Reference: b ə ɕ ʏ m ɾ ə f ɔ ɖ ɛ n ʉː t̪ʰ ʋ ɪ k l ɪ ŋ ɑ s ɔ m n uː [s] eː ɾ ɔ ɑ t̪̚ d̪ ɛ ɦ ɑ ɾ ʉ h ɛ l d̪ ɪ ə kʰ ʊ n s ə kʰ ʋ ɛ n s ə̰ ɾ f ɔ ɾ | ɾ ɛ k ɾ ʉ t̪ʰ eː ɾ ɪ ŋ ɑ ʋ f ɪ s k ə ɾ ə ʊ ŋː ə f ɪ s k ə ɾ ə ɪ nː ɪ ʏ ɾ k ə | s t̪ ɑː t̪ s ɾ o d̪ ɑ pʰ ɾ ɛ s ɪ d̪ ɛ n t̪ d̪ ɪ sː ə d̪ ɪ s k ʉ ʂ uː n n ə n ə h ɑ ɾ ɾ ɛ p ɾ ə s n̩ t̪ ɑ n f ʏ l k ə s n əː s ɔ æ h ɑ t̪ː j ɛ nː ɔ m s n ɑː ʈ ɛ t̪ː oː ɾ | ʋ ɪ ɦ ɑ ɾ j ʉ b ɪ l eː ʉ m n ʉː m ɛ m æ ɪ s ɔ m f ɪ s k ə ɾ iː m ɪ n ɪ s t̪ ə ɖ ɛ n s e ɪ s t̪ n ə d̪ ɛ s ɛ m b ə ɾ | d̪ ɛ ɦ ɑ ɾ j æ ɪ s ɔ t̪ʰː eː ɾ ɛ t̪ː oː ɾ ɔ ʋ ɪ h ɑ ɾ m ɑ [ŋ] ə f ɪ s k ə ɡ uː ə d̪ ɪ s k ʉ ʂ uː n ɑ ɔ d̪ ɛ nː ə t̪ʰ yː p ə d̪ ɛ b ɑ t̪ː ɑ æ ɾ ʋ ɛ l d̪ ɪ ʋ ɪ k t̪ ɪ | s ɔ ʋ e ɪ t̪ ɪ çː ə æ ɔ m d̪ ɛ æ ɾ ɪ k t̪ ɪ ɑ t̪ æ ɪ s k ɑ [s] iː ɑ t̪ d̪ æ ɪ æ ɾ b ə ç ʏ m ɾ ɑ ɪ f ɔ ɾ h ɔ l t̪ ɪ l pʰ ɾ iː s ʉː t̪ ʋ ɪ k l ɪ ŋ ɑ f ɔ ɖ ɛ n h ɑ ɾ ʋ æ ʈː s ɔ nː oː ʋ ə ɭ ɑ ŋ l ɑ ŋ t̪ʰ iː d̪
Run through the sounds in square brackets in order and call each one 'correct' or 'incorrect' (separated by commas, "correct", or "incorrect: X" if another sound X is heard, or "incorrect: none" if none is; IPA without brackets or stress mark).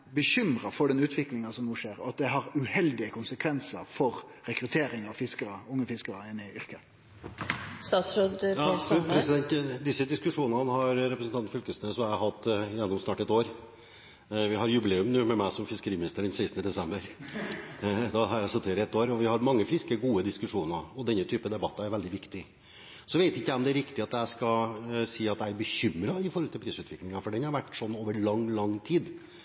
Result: incorrect: ʂ, incorrect: ŋː, correct